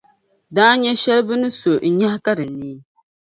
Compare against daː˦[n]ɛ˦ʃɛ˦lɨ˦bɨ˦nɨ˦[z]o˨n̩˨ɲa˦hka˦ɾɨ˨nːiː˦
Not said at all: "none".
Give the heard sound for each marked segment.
ɲ, s

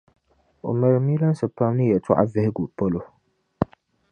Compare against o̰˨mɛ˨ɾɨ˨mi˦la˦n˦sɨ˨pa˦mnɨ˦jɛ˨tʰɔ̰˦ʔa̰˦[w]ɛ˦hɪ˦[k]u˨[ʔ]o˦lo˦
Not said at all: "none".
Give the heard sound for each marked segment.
v, ɡ, p

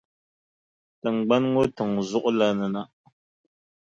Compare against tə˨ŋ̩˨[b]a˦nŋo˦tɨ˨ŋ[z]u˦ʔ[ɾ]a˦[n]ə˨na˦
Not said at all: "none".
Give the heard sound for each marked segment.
ɡ͡b, z, l, n

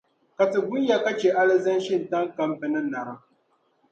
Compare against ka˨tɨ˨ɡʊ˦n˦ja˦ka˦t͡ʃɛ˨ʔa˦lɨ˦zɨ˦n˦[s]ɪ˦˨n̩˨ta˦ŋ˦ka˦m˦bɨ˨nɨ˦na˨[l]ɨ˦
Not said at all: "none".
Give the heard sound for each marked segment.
ʃ, ɾ

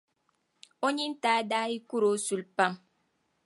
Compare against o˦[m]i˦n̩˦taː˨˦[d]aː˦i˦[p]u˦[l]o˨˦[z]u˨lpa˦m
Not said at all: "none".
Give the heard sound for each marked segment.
ɲ, d, k, ɾ, s

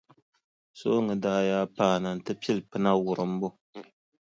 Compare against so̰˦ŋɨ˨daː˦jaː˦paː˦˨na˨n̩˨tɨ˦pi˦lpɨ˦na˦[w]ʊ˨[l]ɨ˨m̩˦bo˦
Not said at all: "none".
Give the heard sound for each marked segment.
w, ɾ

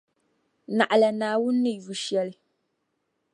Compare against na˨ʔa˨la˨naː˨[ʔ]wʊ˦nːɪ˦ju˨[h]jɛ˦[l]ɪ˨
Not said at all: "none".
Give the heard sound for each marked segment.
none, ʃ, l

